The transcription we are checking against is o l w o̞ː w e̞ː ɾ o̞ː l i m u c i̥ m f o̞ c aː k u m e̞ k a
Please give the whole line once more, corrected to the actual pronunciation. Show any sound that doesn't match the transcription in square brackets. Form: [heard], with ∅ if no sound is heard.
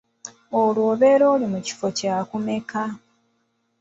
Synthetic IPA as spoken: o l w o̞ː [β] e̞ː ɾ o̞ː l i m u c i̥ [∅] f o̞ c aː k u m e̞ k a